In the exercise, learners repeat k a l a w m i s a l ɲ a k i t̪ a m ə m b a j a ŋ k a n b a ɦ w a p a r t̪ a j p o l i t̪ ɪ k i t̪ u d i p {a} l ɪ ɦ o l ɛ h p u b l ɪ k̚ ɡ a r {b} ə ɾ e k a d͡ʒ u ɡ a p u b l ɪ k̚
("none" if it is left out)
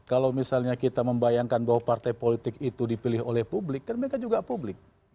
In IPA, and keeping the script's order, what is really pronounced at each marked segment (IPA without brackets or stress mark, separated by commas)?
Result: i, m